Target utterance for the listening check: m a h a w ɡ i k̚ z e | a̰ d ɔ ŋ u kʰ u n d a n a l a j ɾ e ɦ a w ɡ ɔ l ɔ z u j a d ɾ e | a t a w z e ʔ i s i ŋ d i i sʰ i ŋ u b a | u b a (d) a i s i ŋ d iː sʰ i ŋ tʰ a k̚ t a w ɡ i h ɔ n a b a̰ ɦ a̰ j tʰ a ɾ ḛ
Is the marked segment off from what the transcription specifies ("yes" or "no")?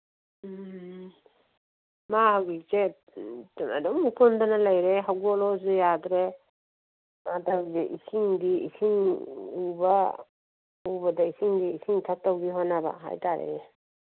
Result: no